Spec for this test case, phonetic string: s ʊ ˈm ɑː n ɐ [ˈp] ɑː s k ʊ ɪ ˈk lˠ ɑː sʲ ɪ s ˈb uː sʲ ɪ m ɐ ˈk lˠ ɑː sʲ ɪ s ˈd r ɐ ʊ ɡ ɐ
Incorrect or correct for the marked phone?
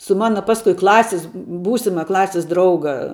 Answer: correct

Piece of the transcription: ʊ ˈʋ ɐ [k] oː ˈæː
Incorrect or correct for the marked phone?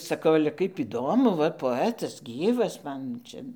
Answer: incorrect: p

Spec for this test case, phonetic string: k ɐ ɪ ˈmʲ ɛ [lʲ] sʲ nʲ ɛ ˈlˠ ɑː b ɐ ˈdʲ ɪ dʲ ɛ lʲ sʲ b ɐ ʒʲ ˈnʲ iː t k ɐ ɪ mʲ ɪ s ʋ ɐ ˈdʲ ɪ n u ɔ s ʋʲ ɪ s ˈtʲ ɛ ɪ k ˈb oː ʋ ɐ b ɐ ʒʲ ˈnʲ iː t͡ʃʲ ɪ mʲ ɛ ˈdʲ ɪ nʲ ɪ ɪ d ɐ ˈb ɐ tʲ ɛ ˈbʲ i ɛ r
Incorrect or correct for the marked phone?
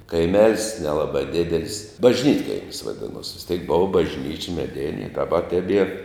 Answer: correct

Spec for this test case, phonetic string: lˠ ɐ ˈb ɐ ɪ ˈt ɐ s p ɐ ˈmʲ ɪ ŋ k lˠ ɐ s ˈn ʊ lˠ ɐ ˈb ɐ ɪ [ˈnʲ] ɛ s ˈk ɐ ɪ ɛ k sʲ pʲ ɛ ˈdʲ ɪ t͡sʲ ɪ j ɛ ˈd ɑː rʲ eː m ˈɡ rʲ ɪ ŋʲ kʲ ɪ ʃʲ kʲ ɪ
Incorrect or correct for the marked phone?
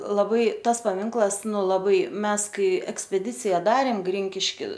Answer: incorrect: mʲ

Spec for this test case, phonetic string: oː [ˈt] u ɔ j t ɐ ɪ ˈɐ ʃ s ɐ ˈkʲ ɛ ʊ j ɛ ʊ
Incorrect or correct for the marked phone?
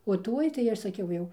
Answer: correct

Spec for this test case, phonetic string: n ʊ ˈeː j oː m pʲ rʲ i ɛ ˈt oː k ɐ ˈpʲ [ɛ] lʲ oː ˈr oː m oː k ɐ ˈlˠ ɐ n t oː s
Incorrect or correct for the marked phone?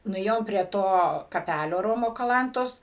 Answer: incorrect: æ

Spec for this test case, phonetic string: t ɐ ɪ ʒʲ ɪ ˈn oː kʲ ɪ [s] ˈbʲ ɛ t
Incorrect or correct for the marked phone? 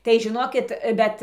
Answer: incorrect: t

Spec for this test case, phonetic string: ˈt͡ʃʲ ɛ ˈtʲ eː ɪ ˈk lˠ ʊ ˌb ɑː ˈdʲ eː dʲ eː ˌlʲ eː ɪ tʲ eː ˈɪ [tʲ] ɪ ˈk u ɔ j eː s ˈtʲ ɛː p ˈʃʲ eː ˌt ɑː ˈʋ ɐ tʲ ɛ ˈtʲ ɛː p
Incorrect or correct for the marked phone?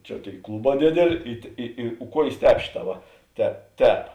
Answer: incorrect: none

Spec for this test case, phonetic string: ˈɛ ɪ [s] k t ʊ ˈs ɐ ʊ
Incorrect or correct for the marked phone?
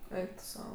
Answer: incorrect: none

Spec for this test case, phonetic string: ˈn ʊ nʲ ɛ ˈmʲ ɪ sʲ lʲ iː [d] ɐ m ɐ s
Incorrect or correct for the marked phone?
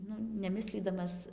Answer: correct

